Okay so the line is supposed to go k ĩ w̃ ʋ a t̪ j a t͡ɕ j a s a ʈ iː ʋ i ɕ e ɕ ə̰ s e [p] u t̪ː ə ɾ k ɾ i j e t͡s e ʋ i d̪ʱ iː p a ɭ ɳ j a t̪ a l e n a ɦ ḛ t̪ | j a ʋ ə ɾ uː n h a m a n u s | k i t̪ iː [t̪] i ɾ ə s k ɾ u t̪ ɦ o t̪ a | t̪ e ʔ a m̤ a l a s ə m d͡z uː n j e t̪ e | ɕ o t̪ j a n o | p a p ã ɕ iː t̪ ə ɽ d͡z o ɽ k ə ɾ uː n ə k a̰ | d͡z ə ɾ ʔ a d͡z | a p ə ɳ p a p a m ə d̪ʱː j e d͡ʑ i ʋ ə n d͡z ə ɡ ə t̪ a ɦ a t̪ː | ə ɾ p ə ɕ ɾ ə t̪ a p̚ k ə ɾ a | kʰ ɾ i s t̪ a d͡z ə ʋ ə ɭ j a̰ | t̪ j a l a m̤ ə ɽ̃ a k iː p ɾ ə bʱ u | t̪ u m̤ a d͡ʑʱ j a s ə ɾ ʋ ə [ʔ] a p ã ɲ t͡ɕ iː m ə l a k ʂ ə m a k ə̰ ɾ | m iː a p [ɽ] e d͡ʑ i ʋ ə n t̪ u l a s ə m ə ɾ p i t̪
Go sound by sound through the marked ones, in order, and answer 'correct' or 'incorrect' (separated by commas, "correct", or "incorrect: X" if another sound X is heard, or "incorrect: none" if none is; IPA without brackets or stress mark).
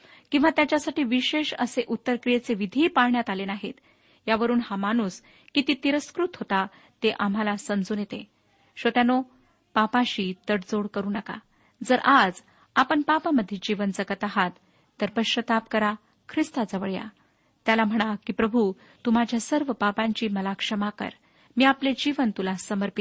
incorrect: ʔ, correct, incorrect: p, incorrect: l